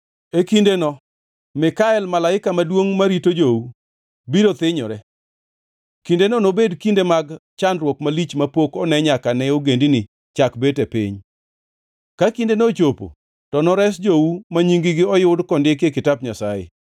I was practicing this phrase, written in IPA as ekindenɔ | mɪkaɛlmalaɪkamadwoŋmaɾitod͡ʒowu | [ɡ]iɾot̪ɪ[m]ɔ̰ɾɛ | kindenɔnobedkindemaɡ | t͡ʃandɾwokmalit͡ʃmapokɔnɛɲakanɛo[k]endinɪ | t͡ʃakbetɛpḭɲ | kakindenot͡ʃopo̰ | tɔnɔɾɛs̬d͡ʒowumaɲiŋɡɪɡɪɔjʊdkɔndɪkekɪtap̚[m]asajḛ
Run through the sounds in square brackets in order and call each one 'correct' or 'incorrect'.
incorrect: b, incorrect: ɲ, incorrect: ɡ, incorrect: ɲ

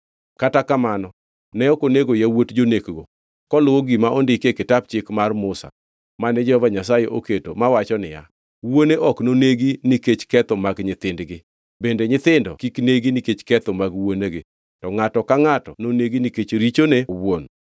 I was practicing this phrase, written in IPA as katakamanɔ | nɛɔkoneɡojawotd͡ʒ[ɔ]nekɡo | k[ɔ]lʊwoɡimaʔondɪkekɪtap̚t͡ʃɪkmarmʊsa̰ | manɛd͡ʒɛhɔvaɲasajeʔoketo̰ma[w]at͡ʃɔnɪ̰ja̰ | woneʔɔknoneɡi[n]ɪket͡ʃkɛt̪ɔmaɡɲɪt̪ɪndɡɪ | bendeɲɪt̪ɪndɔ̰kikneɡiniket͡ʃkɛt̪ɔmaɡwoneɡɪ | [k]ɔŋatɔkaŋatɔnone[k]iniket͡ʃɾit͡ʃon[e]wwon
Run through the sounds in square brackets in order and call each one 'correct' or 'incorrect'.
incorrect: o, correct, correct, correct, incorrect: t, incorrect: ɡ, correct

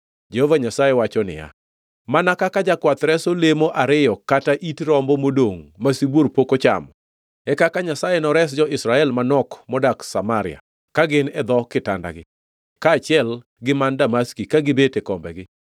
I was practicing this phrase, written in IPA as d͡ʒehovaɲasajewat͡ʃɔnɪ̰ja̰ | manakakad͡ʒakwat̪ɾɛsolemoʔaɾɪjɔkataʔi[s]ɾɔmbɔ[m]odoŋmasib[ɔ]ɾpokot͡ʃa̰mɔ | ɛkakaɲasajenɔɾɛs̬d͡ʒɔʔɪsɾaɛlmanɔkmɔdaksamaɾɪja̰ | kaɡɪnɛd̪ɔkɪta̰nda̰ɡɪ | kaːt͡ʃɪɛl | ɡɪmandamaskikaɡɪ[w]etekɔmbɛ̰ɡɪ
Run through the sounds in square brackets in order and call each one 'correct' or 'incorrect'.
incorrect: t, correct, incorrect: o, incorrect: b

